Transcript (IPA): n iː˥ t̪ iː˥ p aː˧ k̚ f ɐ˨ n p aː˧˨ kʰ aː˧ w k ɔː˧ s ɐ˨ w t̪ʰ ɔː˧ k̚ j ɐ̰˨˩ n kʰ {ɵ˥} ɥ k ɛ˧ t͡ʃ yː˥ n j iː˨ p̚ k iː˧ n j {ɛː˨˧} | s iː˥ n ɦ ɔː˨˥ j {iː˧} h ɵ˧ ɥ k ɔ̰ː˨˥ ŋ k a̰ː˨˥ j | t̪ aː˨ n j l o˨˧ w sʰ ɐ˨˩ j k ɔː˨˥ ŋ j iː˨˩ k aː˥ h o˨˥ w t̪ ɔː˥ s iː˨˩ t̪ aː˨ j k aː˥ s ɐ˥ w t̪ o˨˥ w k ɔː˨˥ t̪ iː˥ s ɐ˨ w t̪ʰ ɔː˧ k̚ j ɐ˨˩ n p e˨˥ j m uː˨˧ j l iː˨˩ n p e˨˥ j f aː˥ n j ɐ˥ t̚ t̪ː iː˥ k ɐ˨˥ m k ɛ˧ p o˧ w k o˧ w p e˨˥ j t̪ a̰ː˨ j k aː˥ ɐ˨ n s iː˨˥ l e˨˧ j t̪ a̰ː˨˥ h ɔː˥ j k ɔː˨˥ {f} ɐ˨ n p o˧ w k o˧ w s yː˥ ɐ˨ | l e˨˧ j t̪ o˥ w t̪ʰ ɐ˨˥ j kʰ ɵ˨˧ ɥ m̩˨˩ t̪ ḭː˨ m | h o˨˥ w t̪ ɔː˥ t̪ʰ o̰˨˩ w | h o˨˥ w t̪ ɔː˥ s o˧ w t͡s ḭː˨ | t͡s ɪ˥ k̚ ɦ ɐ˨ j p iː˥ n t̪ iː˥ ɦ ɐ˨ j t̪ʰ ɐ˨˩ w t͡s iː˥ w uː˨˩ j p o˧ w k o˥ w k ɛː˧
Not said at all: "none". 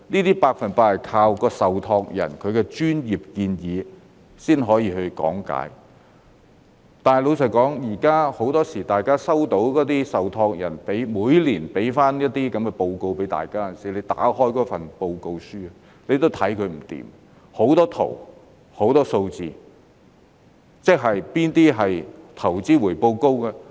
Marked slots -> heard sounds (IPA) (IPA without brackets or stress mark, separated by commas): ɵ˨˧, iː˨˧, iː˧, f